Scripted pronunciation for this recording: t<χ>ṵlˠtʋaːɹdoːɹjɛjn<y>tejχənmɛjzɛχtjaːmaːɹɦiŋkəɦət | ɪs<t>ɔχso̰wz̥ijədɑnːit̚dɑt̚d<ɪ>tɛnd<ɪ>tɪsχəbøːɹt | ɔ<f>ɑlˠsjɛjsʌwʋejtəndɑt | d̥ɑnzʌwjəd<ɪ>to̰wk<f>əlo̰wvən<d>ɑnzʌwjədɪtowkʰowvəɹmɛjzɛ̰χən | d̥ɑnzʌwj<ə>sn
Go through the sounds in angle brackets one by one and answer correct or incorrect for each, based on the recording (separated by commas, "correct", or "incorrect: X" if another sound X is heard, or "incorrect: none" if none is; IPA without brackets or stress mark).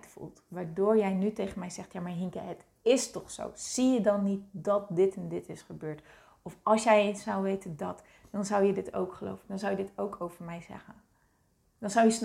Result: incorrect: f, correct, correct, correct, correct, correct, correct, incorrect: χ, correct, correct